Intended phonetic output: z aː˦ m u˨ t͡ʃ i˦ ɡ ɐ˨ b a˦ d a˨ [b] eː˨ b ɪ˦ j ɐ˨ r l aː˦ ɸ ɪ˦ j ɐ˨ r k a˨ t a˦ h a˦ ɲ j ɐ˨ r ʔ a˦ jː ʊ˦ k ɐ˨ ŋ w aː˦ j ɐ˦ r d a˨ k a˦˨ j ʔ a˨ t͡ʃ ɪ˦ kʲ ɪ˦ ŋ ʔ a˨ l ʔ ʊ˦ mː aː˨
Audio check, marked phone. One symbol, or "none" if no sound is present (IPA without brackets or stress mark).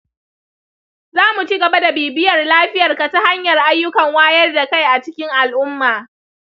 b